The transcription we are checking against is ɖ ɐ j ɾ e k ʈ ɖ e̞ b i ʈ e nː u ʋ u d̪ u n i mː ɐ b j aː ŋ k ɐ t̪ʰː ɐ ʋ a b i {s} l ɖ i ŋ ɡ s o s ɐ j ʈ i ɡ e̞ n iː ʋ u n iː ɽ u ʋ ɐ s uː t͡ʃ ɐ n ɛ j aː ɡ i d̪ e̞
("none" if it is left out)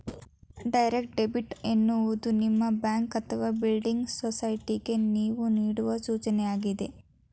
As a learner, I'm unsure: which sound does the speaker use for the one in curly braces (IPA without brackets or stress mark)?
none